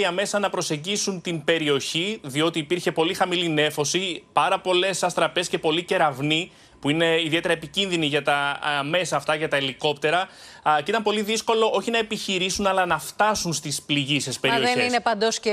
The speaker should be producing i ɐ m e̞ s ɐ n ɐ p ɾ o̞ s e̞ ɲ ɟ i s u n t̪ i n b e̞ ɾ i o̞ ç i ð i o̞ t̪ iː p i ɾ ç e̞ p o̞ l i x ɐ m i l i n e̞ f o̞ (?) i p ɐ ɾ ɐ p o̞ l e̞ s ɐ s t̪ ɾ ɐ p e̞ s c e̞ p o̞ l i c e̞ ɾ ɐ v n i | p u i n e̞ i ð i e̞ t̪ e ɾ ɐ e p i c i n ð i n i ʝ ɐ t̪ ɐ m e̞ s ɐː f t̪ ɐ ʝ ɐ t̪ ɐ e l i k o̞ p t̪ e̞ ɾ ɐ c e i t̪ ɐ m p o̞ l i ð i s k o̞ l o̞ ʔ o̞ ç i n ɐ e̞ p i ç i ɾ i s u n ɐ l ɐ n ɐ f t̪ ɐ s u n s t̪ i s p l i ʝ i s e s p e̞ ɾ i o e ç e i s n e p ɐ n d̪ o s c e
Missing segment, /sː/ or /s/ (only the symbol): s